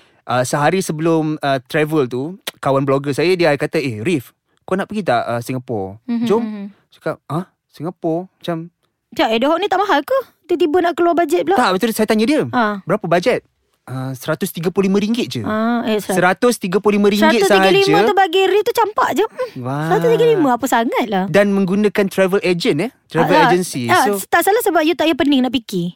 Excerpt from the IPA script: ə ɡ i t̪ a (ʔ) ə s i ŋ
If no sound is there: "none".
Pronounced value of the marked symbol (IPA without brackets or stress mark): ʔ